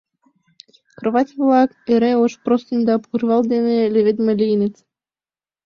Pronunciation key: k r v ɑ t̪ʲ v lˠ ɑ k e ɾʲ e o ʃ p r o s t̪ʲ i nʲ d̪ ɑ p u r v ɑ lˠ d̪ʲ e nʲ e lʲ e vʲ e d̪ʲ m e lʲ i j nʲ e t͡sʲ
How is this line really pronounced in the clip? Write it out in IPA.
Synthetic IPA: k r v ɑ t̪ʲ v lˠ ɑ k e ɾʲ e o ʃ p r o s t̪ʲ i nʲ d̪ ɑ p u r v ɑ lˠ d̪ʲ e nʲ e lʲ e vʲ e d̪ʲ m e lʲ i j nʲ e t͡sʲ

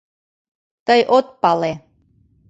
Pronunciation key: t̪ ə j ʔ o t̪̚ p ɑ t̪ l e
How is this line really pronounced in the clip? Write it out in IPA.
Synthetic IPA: t̪ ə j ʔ o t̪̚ p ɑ l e

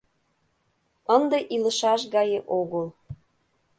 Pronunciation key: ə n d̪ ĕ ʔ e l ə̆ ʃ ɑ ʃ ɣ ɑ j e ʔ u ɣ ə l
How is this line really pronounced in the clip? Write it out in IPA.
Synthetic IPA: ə n d̪ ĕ ʔ i l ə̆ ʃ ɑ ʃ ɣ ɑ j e ʔ o ɣ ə l

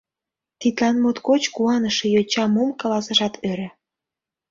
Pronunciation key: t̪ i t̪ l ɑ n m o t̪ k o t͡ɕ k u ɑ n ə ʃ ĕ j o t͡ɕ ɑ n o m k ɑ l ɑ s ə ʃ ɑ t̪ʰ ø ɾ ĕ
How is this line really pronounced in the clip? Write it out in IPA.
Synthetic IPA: t̪ i t̪ l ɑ n m o t̪ k o t͡ɕ k u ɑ n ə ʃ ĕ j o t͡ɕ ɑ m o m k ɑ l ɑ s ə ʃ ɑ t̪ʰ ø ɾ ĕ

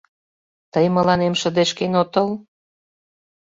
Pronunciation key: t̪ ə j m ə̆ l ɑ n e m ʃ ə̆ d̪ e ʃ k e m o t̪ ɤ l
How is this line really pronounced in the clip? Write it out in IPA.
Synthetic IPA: t̪ ə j m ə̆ l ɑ n e m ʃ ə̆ d̪ e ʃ k e n o t̪ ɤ l

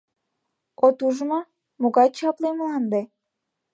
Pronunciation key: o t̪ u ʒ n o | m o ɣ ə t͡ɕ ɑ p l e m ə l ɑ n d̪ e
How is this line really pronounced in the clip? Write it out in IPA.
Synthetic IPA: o t̪ u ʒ m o | m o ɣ ɑ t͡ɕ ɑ p l e m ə l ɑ n d̪ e

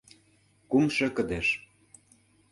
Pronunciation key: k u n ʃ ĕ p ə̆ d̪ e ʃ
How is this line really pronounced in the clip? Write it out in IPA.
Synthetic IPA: k u m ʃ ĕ k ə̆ d̪ e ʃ

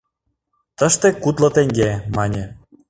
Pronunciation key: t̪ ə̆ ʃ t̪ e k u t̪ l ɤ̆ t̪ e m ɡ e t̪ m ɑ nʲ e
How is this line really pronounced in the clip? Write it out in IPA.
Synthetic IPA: t̪ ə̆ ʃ t̪ e k u t̪ l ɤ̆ t̪ e ŋ ɡ e m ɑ nʲ e

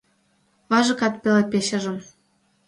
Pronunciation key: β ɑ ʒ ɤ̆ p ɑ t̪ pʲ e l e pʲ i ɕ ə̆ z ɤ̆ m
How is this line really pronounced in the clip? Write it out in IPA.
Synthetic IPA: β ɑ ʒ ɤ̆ k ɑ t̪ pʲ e l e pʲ e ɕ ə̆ ʒ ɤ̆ m

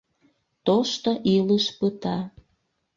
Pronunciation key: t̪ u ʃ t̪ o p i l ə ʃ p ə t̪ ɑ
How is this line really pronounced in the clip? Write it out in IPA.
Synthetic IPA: t̪ o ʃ t̪ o ʔ i l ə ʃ p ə t̪ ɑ

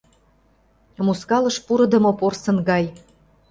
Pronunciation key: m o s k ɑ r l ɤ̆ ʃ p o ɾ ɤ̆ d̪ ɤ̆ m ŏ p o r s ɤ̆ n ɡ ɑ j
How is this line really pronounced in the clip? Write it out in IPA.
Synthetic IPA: m u s k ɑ l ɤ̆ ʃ p u ɾ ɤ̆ d̪ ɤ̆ m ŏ p o r s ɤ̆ n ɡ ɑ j

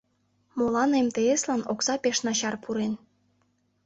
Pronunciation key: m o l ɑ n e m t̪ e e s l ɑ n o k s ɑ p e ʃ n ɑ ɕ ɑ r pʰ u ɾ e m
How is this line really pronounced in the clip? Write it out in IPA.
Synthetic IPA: m o l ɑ n e m t̪ e e s l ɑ n o k s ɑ p e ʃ n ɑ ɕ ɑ r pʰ u ɾ e n

